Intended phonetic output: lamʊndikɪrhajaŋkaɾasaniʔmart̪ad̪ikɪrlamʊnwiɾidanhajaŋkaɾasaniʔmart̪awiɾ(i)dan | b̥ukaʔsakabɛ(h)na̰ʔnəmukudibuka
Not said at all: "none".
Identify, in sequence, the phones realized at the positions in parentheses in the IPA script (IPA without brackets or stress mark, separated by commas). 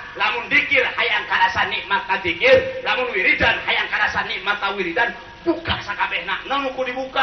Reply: i, h